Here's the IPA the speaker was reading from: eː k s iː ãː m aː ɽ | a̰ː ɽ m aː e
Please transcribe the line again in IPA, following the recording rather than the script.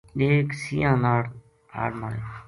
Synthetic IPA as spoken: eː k s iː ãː n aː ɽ | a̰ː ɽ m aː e